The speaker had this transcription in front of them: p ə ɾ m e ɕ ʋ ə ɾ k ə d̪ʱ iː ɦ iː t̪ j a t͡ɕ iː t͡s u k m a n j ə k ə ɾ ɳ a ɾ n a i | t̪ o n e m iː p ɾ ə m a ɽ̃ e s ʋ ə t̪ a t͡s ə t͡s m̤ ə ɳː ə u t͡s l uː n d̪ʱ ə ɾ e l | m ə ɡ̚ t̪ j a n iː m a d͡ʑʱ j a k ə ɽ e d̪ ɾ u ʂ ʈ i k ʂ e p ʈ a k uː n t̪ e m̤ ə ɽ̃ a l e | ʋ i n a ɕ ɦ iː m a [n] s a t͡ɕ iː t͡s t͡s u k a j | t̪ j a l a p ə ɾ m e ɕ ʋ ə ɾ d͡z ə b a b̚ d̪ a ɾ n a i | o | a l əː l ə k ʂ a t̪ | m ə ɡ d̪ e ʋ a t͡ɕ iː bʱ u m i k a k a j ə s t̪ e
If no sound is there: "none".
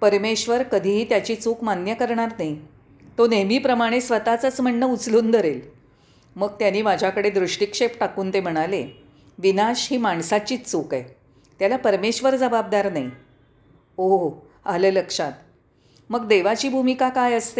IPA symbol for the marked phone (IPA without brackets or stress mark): ɳ